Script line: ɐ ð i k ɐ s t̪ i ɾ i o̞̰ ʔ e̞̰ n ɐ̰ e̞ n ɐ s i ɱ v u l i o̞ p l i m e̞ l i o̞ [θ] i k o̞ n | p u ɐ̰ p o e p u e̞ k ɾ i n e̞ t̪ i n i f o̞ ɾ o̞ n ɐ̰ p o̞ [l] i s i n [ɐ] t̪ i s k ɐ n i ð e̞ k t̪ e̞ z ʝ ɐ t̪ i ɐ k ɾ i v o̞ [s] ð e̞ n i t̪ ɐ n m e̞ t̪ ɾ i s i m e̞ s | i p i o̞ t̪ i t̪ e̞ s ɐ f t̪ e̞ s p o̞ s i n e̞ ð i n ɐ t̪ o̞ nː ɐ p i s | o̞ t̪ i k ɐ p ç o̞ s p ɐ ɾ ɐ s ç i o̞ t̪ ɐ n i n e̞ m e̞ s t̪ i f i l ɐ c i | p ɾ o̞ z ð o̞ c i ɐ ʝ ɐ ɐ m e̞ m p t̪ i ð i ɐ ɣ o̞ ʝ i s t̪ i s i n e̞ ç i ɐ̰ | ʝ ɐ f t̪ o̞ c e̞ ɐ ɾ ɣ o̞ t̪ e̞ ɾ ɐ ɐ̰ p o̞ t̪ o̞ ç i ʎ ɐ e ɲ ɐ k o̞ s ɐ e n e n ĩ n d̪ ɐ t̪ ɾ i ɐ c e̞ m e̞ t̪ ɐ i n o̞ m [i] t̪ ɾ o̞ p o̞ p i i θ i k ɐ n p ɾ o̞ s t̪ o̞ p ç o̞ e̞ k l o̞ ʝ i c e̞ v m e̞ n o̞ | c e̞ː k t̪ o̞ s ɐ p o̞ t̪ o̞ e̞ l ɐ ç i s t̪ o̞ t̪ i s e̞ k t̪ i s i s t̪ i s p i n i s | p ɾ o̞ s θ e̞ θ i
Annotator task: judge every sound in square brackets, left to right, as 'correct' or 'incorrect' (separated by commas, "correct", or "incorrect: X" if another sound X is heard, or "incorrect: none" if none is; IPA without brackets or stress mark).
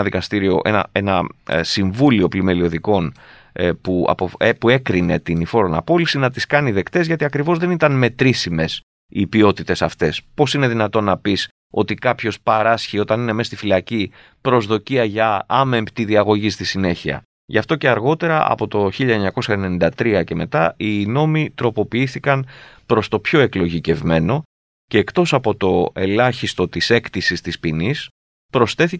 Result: incorrect: ð, correct, correct, incorrect: z, correct